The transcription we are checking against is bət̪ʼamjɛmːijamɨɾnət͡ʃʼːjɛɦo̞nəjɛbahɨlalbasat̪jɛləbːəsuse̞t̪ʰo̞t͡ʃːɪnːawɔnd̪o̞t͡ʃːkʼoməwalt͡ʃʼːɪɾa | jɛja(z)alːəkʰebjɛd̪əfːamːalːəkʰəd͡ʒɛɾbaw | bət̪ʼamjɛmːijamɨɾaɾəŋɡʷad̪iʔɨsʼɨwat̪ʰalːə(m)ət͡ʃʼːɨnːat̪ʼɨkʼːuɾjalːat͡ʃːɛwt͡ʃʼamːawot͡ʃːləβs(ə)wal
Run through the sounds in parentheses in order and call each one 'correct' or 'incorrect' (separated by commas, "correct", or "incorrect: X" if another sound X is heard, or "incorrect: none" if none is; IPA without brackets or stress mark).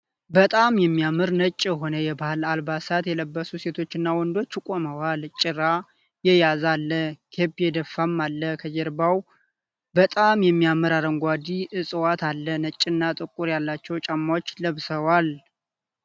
correct, incorrect: n, correct